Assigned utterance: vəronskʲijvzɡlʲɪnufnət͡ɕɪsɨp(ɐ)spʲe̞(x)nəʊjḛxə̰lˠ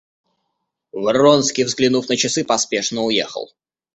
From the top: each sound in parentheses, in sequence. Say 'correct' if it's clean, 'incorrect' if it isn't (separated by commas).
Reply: correct, incorrect